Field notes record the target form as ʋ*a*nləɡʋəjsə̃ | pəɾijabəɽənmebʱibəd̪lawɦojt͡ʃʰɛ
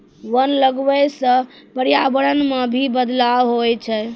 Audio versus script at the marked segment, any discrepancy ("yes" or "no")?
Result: yes